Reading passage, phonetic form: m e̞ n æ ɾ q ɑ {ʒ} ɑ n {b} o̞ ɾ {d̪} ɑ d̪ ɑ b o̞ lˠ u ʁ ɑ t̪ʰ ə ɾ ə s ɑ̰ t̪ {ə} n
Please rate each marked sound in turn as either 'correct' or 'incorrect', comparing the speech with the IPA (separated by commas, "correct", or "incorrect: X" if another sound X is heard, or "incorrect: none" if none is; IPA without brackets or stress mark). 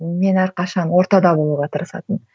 incorrect: ʃ, incorrect: w, incorrect: t̪, correct